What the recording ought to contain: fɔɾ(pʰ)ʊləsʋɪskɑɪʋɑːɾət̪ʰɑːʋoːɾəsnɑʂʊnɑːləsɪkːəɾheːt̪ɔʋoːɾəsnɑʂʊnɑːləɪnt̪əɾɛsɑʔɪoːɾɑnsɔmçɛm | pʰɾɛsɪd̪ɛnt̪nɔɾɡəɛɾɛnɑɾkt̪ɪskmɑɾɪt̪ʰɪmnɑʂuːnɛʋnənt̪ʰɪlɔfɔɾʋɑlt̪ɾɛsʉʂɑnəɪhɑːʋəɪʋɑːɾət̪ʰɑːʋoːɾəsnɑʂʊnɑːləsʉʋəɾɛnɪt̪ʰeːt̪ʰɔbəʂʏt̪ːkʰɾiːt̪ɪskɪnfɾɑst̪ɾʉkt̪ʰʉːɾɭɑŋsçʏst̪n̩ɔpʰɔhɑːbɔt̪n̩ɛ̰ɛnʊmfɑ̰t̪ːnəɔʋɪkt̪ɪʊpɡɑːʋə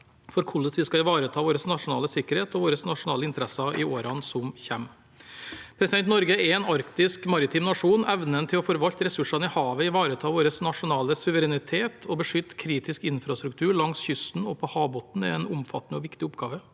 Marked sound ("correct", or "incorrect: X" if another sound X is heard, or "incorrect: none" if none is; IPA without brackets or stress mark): incorrect: kʰ